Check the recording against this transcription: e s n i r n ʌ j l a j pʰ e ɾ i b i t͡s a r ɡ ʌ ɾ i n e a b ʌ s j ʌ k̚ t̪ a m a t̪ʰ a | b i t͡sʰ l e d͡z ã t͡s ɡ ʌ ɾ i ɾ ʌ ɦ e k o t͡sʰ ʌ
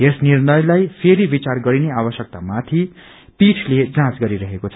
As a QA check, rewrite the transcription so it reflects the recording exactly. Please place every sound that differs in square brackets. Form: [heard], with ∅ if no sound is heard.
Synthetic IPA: e s n i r n ʌ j l a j pʰ e ɾ i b i t͡s a r ɡ ʌ ɾ i n e a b ʌ s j ʌ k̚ t̪ a m a t̪ʰ [i] | [p] i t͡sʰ l e d͡z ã t͡s ɡ ʌ ɾ i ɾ ʌ ɦ e k o t͡sʰ ʌ